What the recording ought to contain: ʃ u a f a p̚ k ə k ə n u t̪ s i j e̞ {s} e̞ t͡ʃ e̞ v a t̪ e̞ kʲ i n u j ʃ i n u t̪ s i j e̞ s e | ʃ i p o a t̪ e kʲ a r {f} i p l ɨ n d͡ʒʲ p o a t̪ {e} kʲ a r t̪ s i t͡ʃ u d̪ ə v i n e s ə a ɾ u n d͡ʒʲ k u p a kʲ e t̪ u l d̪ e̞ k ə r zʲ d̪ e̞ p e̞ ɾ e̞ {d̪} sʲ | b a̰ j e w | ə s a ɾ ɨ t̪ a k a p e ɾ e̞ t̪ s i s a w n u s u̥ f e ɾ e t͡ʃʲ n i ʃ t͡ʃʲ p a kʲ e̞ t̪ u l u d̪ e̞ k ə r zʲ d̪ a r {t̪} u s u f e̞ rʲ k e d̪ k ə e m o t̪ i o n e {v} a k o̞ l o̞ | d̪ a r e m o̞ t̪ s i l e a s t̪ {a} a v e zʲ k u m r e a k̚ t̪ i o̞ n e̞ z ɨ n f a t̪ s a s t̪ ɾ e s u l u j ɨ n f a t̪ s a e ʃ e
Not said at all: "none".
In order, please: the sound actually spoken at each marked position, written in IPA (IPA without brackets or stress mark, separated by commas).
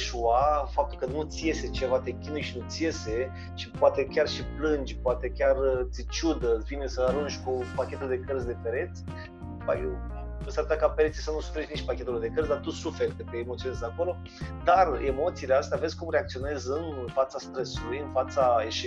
s, ʃ, e, t̪, t̪, z, e